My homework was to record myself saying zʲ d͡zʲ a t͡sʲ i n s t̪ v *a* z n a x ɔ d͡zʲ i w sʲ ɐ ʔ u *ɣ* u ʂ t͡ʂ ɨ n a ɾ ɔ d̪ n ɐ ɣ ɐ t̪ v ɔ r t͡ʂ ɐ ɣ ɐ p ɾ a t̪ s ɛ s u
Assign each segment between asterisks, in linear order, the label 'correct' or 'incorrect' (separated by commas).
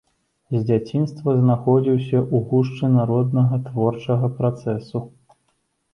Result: incorrect, correct